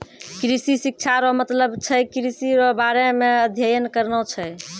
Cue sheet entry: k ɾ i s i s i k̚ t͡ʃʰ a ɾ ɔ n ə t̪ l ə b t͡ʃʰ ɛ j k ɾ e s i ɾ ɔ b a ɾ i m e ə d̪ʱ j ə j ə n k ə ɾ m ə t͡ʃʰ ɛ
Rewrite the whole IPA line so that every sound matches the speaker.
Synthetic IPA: k ɾ i s i s i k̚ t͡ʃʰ a ɾ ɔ m ə t̪ l ə b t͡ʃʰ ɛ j k ɾ i s i ɾ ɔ b a ɾ e m e ə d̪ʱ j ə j ə n k ə ɾ n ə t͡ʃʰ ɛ